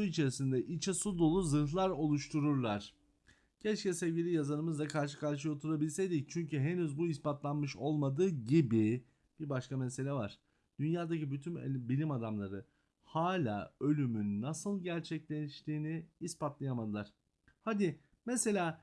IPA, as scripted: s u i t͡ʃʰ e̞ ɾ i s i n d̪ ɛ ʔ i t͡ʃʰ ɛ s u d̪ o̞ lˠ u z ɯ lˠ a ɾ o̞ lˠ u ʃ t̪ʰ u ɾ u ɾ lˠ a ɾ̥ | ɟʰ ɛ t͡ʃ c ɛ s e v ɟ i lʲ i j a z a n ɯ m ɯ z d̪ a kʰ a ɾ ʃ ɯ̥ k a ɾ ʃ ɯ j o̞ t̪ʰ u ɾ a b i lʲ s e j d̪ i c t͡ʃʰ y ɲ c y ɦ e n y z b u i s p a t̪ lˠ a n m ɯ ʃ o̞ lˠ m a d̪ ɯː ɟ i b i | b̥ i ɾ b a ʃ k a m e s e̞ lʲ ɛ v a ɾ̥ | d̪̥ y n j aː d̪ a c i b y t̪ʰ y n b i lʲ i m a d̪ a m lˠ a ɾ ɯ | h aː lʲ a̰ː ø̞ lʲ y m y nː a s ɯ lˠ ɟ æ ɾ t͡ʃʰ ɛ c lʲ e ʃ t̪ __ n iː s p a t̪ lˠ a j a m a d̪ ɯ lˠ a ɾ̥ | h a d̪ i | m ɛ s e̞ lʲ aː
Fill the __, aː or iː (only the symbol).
iː